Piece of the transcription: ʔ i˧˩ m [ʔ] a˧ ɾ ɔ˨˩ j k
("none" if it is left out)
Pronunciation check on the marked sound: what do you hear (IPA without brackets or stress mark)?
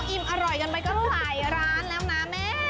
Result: ʔ